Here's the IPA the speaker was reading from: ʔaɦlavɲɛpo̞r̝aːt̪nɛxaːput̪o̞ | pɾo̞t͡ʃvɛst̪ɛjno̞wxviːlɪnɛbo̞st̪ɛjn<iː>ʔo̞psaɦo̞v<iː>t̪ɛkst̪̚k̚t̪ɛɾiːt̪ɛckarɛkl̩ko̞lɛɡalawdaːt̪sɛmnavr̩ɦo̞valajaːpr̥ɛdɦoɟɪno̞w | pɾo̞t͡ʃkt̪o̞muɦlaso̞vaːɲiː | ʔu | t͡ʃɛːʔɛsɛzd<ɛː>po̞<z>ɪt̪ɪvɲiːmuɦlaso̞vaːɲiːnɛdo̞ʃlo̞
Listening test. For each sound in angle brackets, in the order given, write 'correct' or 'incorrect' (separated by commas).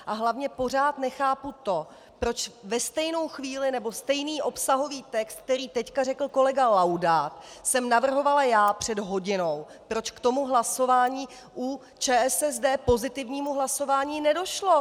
correct, correct, correct, correct